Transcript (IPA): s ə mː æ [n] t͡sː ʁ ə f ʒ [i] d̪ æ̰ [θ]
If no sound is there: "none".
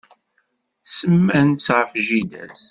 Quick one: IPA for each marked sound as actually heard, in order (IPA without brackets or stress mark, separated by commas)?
n, i, s